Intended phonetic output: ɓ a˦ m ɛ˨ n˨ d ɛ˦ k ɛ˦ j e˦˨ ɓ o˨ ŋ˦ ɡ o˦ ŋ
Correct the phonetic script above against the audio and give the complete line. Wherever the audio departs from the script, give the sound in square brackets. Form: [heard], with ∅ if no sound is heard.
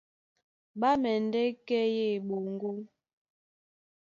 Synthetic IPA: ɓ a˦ m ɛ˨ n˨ d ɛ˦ k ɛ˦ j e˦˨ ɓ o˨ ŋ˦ ɡ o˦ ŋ